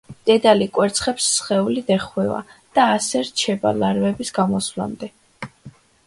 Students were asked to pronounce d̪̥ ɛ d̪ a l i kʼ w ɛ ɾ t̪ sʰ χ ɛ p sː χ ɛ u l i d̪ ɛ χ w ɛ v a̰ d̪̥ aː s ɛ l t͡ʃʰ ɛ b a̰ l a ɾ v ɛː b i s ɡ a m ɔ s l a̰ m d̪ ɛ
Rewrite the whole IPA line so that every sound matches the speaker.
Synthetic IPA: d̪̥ ɛ d̪ a l i kʼ w ɛ ɾ t̪ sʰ χ ɛ p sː χ ɛ u l i d̪ ɛ χ w ɛ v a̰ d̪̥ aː s ɛ ɾ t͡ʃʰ ɛ b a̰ l a ɾ v ɛ b i s ɡ a m ɔ s l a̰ m d̪ ɛ